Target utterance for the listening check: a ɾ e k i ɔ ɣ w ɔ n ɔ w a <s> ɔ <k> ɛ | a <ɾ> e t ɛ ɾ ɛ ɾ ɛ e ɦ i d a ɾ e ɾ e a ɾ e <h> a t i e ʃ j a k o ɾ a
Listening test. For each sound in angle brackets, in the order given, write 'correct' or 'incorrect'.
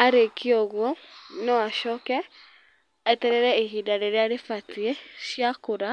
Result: incorrect, correct, incorrect, incorrect

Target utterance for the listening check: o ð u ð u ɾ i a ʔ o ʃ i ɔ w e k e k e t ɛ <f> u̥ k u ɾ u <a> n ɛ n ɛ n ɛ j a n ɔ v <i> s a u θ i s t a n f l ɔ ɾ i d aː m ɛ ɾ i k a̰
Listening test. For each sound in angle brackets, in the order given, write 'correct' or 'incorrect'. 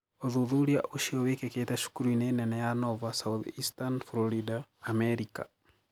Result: incorrect, incorrect, incorrect

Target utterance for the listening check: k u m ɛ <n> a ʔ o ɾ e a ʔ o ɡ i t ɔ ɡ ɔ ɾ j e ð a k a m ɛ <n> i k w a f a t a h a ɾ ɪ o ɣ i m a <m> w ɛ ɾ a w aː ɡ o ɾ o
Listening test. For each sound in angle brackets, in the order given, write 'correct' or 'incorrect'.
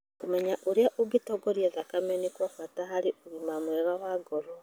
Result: incorrect, correct, correct

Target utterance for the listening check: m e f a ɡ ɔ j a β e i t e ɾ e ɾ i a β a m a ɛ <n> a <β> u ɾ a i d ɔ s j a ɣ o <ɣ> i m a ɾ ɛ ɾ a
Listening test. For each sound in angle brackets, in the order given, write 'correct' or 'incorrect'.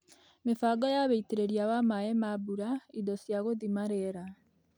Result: incorrect, incorrect, incorrect

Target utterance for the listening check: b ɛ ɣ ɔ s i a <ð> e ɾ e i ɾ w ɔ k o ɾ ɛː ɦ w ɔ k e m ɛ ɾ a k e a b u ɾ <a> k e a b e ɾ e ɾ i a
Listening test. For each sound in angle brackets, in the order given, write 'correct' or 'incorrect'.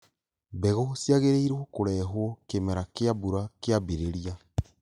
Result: incorrect, correct

